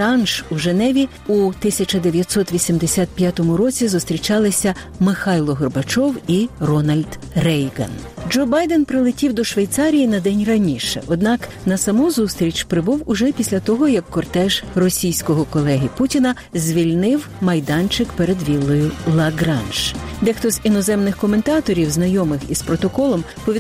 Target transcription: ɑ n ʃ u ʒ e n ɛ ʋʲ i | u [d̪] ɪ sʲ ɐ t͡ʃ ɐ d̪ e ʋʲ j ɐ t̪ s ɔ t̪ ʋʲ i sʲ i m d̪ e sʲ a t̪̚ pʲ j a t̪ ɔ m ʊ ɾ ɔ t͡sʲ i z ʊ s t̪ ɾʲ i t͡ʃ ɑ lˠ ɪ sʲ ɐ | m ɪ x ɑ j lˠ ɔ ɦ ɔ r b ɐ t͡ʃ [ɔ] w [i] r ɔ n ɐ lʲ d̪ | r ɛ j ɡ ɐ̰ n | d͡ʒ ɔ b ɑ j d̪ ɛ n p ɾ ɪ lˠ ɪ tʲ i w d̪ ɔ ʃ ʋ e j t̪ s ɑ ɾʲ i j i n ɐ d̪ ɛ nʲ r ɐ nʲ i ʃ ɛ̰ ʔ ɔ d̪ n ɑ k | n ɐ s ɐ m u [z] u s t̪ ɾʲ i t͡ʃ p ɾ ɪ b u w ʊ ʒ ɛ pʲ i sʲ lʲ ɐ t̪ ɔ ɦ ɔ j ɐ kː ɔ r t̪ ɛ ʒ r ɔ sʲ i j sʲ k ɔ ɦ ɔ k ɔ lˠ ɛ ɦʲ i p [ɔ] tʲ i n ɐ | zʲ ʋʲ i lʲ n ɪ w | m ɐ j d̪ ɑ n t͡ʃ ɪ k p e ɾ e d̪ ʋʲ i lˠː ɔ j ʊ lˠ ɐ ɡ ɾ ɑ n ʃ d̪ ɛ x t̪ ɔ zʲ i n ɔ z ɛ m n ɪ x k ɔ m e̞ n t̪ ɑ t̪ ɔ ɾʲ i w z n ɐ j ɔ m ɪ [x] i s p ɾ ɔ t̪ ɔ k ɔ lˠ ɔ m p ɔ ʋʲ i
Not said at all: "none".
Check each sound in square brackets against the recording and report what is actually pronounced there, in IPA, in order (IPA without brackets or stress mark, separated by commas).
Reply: t̪, ɔ, i, z, u, x